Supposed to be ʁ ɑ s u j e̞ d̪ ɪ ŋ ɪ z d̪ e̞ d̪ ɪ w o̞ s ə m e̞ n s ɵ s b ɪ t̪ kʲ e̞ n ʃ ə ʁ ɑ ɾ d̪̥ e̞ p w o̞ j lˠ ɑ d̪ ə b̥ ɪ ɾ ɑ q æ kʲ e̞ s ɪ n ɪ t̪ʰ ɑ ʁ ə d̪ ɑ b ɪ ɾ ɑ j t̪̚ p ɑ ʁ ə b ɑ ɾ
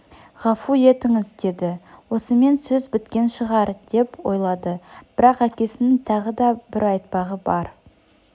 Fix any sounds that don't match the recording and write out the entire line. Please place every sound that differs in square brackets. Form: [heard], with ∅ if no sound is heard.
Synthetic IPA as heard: ʁ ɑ [f] u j e̞ [t̪] ɪ ŋ ɪ z d̪ e̞ d̪ ɪ w o̞ s ə m e̞ n s ɵ [z] b ɪ t̪ kʲ e̞ n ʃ ə ʁ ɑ ɾ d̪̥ e̞ p w o̞ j lˠ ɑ d̪ ə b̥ ɪ ɾ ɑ q æ kʲ e̞ s ɪ n ɪ t̪ʰ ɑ ʁ ə d̪ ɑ b ɪ ɾ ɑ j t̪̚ p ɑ ʁ ə b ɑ ɾ